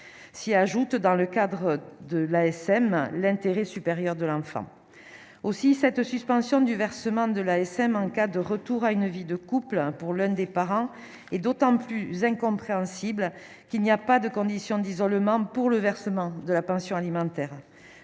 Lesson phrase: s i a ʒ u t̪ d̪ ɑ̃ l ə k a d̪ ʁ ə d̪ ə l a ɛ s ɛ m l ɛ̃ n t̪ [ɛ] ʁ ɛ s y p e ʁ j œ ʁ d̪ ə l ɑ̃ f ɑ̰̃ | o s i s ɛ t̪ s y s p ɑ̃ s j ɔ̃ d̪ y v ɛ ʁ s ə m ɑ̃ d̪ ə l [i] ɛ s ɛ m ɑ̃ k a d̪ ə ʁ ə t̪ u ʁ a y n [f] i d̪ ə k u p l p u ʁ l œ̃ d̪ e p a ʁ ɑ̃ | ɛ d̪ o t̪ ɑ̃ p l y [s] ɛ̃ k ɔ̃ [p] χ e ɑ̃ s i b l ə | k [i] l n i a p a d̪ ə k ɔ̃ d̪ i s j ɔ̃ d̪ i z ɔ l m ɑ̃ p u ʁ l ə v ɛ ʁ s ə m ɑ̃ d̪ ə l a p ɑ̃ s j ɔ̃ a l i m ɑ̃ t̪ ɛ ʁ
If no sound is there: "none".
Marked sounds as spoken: e, a, v, z, p, i

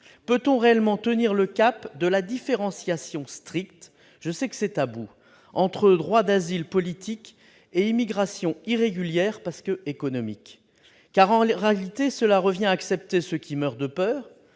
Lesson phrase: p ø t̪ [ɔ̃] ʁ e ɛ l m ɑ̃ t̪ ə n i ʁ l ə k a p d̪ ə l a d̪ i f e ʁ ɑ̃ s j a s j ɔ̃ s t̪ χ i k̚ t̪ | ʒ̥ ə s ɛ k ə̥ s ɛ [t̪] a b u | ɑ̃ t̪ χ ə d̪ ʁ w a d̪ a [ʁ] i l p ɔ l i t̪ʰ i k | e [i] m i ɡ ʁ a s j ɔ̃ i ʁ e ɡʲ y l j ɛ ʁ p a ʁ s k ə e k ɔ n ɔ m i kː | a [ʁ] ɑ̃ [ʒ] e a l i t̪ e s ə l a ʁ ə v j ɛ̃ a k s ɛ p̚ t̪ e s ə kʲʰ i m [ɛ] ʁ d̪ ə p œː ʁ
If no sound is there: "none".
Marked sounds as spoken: ɔ̃, t̪, z, i, ʁ, ʁ, œ

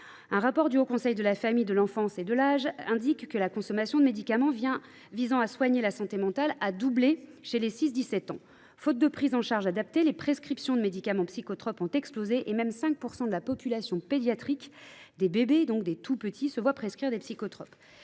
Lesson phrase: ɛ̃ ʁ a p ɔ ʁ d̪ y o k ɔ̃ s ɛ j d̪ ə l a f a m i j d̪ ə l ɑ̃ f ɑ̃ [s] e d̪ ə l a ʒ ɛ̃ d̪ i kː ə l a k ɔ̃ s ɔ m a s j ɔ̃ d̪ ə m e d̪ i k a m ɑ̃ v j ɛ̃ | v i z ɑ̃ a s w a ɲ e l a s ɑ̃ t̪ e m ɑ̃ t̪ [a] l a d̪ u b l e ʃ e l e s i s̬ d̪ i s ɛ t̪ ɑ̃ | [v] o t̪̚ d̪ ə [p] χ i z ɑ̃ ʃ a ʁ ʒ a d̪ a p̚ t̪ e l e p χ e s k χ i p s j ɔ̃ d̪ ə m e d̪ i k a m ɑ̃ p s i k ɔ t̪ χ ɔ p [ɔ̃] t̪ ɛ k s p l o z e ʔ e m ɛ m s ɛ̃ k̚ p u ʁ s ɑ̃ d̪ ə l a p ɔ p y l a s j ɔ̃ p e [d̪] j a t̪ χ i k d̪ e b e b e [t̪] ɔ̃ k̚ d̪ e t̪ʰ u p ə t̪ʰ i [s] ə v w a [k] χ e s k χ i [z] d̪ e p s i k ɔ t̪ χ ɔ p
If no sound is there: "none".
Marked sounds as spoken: s, a, f, p, ɔ̃, d̪, d̪, s, p, ʁ

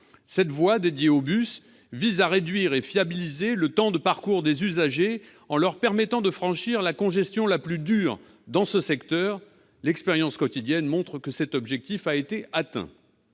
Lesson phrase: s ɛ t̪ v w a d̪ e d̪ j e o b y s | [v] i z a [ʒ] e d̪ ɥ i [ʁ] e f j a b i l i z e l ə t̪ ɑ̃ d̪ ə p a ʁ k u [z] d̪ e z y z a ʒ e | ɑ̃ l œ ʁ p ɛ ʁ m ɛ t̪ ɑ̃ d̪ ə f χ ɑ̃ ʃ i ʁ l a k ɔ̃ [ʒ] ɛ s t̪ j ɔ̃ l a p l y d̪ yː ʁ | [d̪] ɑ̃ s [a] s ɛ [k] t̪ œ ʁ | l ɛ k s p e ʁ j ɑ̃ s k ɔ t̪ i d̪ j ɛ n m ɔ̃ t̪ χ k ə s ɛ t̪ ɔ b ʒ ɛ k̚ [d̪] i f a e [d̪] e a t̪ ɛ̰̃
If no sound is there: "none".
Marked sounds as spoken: v, ʁ, ʁ, ʁ, ʒ, d̪, ə, k, t̪, t̪

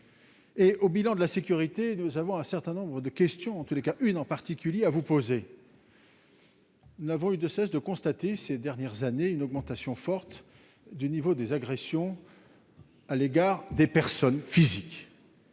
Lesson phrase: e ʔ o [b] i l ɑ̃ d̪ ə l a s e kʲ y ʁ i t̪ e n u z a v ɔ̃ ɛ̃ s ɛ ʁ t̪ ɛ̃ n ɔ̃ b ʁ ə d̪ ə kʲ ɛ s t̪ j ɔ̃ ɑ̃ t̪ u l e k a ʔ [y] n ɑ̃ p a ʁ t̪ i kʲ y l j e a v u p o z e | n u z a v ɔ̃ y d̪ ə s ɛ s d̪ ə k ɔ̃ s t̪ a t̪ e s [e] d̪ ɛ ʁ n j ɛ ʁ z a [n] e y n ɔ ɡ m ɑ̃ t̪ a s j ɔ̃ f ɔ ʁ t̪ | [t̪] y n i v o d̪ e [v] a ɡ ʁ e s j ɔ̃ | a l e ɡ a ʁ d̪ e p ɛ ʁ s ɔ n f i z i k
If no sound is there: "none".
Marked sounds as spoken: b, y, e, n, d̪, z

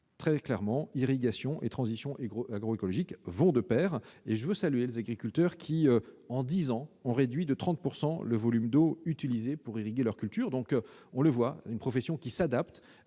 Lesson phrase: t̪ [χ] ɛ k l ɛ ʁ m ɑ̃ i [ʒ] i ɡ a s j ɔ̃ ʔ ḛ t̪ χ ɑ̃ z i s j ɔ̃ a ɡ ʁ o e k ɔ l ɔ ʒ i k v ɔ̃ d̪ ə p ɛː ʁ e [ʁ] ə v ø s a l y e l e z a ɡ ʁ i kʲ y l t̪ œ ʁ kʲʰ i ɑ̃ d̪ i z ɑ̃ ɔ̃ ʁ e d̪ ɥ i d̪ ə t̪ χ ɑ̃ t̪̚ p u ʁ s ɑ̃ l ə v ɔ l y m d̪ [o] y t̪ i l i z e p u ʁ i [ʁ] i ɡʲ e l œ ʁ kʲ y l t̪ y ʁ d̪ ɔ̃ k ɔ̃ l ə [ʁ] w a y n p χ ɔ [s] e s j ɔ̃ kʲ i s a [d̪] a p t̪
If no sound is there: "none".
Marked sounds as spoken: χ, ʁ, ʒ, o, ʁ, v, f, d̪

